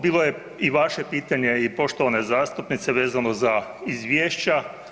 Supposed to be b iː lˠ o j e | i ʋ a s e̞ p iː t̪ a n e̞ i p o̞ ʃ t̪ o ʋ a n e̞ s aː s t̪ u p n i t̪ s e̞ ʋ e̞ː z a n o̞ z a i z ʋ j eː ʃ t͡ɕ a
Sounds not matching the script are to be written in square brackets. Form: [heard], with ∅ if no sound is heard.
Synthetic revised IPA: b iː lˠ o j e | i ʋ a [ʃ] e̞ p iː t̪ a [ɲ] e̞ i p o̞ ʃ t̪ o ʋ a n e̞ [z] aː s t̪ u p n i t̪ s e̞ ʋ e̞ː z a n o̞ z a i z ʋ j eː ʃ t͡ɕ a

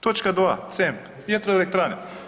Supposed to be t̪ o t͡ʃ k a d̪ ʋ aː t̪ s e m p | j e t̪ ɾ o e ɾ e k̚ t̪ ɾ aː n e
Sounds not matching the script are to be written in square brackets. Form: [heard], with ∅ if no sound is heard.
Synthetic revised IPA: t̪ o t͡ʃ k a d̪ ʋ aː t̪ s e m p | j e t̪ ɾ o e [l] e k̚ t̪ ɾ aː n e

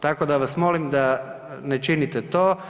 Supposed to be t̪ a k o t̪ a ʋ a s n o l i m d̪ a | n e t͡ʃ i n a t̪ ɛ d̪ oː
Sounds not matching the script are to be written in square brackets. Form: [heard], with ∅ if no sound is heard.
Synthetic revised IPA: t̪ a k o [d̪] a ʋ a s [m] o l i m d̪ a | n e t͡ʃ i n [i] t̪ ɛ [t̪] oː

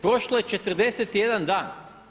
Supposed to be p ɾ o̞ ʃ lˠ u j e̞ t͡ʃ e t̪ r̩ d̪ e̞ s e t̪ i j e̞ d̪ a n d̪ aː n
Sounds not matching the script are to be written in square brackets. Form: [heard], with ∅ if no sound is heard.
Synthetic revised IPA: p ɾ o̞ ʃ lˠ [o] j e̞ t͡ʃ e t̪ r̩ d̪ e̞ s e t̪ i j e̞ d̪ a n d̪ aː n

